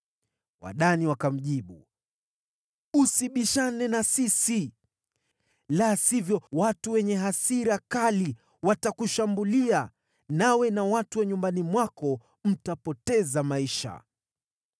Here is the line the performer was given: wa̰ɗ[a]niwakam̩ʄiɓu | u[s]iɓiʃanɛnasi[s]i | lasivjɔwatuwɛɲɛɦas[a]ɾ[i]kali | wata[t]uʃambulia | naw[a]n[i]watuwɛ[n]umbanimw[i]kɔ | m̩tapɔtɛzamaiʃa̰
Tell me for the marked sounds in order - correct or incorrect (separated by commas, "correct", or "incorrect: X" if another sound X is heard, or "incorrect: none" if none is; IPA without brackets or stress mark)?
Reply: correct, correct, correct, incorrect: i, incorrect: a, incorrect: k, incorrect: ɛ, incorrect: a, incorrect: ɲ, incorrect: a